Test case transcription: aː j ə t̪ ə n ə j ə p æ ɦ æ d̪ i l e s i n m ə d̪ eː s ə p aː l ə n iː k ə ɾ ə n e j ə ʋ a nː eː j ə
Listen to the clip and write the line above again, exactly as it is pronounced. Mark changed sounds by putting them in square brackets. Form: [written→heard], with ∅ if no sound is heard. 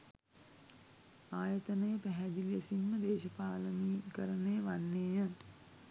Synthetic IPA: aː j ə t̪ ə n ə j ə p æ ɦ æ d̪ i l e s i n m ə d̪ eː [s→ʃ] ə p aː l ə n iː k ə ɾ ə n e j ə ʋ a nː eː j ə